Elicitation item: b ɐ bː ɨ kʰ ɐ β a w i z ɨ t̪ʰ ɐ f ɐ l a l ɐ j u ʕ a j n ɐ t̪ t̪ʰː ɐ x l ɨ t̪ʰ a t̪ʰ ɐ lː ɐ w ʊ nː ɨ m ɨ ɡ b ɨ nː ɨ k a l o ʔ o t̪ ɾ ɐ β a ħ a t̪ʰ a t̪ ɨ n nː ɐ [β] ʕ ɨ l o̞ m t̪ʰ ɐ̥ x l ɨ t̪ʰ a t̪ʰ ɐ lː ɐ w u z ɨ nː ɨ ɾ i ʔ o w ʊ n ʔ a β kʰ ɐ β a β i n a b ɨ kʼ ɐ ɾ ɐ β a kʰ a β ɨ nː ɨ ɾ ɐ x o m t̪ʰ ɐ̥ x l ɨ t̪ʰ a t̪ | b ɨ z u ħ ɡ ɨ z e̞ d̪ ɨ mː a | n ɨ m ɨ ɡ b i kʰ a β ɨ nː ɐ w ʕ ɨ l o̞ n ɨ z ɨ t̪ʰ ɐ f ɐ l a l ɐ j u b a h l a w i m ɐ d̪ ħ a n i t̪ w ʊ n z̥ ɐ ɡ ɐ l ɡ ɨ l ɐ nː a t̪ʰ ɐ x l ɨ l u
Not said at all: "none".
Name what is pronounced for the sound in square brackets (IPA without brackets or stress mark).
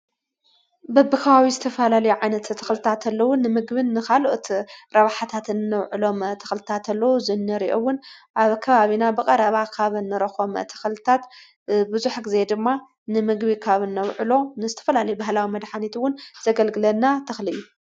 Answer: w